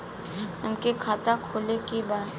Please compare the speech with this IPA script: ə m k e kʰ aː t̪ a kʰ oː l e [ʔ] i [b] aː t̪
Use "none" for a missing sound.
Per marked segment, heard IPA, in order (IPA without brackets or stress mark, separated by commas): k, b